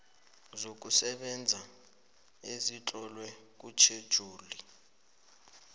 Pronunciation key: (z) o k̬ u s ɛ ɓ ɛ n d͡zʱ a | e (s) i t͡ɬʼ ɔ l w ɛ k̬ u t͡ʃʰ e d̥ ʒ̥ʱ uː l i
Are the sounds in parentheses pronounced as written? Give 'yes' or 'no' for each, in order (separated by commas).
yes, no